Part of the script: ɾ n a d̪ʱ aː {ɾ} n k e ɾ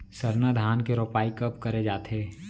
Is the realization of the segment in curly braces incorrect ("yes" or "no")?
yes